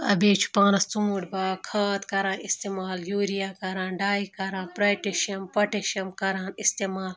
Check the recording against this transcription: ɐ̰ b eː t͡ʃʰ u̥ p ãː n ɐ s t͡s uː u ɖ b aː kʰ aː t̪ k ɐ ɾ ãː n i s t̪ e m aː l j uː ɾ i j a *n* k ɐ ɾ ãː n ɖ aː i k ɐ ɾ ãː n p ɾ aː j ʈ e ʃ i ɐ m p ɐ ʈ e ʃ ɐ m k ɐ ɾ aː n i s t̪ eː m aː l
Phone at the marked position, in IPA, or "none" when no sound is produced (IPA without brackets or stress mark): none